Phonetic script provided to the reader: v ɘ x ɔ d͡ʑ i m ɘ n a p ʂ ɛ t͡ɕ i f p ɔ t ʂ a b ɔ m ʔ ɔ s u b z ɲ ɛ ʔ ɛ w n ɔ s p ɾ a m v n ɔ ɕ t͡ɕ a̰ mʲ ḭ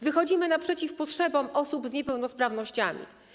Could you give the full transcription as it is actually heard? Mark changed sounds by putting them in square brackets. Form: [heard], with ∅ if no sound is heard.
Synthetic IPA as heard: v ɘ x ɔ d͡ʑ i m ɘ n a p ʂ ɛ t͡ɕ i f p ɔ t ʂ [ɛ] b ɔ m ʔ ɔ s u b z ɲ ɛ [p] ɛ w n ɔ s p ɾ a [∅] v n ɔ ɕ t͡ɕ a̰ mʲ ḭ